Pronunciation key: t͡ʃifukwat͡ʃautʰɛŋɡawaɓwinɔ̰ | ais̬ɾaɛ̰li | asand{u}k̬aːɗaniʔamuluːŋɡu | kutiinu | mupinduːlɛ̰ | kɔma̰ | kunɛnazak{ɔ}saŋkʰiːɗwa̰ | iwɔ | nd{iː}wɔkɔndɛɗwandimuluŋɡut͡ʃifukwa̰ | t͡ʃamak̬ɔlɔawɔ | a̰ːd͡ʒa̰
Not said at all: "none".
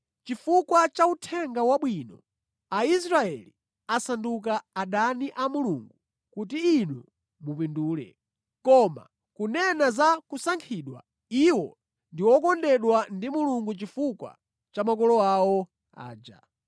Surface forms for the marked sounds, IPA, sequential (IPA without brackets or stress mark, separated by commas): u, u, i